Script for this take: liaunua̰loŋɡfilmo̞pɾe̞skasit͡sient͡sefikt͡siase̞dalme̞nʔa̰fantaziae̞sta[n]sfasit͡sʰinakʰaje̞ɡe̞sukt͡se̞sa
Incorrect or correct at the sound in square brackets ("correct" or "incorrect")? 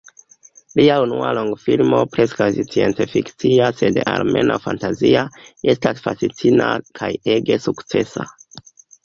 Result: incorrect